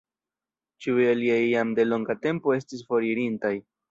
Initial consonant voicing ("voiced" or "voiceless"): voiceless